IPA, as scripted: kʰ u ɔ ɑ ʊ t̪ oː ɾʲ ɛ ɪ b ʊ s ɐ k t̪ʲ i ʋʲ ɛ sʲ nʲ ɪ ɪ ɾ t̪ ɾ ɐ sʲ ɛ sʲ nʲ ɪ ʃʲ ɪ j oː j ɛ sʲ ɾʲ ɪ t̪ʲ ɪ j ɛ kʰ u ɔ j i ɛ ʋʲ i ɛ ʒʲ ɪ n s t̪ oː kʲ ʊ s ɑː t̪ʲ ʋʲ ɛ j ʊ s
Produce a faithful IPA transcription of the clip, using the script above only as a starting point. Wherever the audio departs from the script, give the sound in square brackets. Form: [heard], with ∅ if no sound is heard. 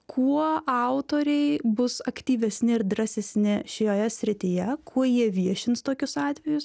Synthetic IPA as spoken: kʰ u ɔ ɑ ʊ t̪ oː ɾʲ ɛ ɪ b ʊ s ɐ k t̪ʲ [iː] ʋʲ ɛ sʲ nʲ ɪ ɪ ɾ [d̪] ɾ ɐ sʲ ɛ sʲ nʲ ɪ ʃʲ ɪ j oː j ɛ sʲ ɾʲ ɪ t̪ʲ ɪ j ɛ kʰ u ɔ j i ɛ ʋʲ i ɛ [ʃʲ] ɪ n s t̪ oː kʲ ʊ s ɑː t̪ʲ ʋʲ ɛ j ʊ s